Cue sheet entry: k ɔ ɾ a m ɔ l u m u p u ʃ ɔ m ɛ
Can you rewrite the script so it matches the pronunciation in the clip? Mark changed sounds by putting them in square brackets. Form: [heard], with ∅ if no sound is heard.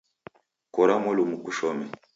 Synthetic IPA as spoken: k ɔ ɾ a m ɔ l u m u [k] u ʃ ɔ m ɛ